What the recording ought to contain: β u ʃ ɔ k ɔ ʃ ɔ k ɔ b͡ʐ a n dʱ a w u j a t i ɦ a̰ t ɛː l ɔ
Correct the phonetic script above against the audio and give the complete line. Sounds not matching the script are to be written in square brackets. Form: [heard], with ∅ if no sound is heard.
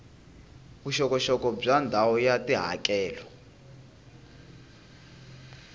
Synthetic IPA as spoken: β u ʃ ɔ k ɔ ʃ ɔ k ɔ b͡ʐ a n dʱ a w [ɔ] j a t i ɦ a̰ [k] ɛː l ɔ